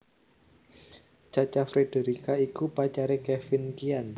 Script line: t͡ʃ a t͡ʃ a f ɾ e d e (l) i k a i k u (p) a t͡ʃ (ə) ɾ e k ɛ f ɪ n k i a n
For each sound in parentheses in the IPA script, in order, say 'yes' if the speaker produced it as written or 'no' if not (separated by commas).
no, yes, no